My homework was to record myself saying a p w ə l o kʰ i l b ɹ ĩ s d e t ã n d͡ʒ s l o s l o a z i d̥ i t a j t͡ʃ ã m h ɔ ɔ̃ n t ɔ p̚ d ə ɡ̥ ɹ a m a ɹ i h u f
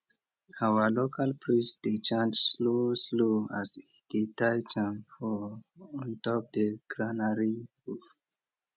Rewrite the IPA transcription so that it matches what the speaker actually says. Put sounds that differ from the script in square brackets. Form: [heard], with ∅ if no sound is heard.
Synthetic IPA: a [∅] w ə l o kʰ [a] l [p] ɹ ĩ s d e [t͡ʃ] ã n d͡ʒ s l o s l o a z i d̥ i t a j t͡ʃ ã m [f] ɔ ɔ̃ n t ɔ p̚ d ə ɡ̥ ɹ a [n] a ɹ i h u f